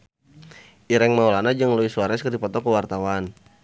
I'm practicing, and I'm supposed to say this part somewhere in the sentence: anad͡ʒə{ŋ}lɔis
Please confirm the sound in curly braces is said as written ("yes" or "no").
yes